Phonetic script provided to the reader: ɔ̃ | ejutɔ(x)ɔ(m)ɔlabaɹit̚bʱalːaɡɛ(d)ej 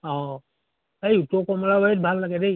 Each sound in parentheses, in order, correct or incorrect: incorrect: k, correct, correct

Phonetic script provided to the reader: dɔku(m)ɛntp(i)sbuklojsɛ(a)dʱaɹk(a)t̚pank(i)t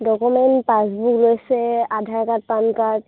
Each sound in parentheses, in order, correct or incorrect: correct, incorrect: a, correct, correct, incorrect: a

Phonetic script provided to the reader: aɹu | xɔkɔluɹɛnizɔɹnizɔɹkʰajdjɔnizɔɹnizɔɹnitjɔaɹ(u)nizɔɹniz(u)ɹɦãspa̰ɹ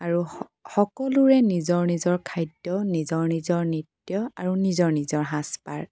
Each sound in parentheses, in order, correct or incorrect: correct, incorrect: ɔ

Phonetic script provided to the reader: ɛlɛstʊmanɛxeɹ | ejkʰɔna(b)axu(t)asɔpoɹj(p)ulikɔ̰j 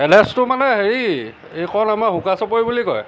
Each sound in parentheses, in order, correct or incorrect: incorrect: m, incorrect: k, incorrect: b

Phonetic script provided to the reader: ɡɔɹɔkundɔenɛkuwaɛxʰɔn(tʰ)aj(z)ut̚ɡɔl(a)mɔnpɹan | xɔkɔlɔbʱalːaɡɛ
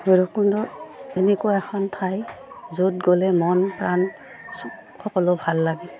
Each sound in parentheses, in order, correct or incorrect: correct, correct, incorrect: ɛ

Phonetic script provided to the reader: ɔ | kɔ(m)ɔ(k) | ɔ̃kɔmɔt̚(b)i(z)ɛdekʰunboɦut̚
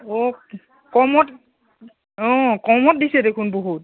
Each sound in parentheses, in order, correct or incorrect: correct, incorrect: t, incorrect: d, incorrect: s

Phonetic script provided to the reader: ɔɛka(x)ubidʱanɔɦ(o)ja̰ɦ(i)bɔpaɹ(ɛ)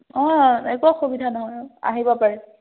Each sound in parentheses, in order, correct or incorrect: correct, incorrect: ɔ, correct, correct

